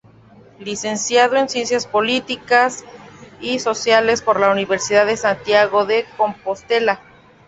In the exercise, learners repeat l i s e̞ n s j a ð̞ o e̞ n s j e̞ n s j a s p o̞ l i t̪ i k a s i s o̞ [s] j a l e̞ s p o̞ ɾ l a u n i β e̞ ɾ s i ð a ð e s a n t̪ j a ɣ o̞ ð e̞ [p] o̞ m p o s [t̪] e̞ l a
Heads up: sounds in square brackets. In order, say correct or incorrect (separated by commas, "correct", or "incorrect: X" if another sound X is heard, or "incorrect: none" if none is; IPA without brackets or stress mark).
correct, incorrect: k, correct